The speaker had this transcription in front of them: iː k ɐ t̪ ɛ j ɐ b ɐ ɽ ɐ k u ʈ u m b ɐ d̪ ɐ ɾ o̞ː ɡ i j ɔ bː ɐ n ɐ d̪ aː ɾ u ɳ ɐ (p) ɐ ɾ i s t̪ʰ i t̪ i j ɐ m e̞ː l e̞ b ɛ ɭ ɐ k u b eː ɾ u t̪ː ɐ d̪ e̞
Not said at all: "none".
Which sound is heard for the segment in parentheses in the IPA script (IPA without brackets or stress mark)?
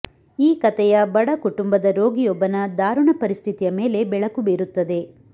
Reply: p